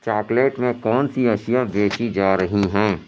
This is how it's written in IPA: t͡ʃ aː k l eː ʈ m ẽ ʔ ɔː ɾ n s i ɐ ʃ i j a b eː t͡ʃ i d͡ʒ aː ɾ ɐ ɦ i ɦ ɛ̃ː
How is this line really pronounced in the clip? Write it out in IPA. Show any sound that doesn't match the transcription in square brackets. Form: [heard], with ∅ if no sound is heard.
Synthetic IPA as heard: t͡ʃ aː k l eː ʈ m ẽ [k] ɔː [∅] n s i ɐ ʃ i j a b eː t͡ʃ i d͡ʒ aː ɾ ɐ ɦ i ɦ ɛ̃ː